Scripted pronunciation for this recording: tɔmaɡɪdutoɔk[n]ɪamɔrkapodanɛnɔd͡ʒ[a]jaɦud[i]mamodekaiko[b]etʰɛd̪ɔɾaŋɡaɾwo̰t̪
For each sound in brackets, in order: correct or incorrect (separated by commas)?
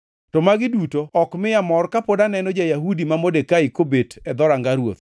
incorrect, correct, correct, correct